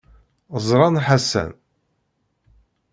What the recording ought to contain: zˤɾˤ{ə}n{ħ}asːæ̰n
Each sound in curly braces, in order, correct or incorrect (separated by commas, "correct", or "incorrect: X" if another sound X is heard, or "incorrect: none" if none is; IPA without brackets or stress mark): incorrect: ɑ, correct